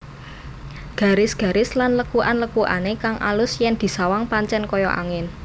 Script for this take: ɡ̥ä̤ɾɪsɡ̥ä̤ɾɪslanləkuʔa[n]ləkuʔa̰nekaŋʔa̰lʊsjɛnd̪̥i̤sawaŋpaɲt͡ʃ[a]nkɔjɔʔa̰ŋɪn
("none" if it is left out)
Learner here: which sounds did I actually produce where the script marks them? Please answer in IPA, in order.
n, ɛ

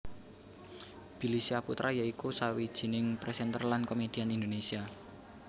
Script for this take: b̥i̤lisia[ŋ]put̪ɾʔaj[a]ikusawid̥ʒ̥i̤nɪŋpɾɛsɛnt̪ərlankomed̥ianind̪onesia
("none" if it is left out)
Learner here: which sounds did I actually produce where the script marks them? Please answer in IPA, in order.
none, a

